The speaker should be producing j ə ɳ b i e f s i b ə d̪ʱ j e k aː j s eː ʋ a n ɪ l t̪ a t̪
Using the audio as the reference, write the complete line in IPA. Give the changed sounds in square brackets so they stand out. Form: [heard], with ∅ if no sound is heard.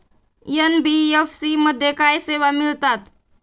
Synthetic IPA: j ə [n] b i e f s i [m] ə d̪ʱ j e k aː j s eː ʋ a [m] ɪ l t̪ a t̪